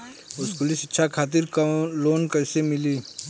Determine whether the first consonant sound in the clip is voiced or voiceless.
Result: voiceless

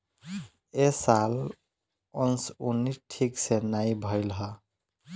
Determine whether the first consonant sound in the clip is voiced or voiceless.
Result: voiceless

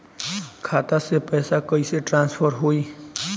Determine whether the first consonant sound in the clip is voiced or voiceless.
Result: voiceless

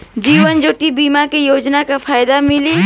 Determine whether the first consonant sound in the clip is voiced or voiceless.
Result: voiced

